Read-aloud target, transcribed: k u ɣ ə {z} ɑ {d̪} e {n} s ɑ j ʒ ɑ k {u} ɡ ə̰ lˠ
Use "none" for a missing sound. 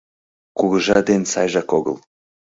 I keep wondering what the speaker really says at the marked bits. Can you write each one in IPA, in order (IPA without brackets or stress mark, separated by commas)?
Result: ʒ, d̪, n, o